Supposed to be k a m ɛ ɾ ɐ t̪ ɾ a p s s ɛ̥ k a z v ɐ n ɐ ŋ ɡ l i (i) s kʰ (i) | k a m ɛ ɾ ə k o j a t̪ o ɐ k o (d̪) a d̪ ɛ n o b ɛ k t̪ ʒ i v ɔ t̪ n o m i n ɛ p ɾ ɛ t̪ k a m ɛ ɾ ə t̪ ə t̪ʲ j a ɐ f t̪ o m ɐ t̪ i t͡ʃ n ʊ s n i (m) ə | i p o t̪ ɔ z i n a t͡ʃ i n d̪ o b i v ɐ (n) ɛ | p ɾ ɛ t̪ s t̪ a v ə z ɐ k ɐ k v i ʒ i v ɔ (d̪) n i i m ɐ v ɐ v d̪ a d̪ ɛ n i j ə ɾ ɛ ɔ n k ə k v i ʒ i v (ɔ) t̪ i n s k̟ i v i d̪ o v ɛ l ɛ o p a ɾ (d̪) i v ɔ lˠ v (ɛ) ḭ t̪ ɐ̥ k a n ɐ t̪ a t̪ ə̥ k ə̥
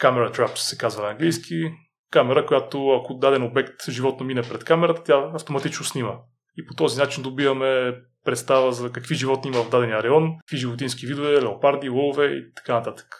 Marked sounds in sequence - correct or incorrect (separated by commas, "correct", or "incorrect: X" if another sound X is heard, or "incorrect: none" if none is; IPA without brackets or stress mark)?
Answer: incorrect: j, correct, correct, correct, incorrect: m, incorrect: t̪, incorrect: o, correct, correct